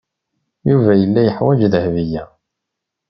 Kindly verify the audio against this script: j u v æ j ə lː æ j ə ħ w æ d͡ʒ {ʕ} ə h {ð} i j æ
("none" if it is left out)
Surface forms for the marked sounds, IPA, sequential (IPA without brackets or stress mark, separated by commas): ð, v